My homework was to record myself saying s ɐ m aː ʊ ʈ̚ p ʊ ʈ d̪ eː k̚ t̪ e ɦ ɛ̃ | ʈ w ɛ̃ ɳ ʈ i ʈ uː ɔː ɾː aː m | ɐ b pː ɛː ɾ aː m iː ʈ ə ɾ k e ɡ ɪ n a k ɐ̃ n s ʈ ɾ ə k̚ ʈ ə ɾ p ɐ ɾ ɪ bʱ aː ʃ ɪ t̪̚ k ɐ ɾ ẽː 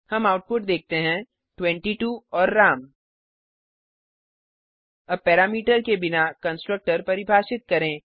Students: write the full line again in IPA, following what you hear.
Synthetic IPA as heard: h ɐ m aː ʊ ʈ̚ p ʊ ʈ d̪ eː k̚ t̪ e ɦ ɛ̃ | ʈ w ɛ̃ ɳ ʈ i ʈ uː ɔː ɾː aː m | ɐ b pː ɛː ɾ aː m iː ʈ ə ɾ k e b ɪ n a k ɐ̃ n s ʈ ɾ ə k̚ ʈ ə ɾ p ɐ ɾ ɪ bʱ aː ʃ ɪ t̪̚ k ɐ ɾ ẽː